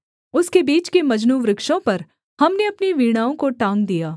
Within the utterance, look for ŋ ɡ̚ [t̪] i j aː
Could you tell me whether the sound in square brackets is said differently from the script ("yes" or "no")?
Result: yes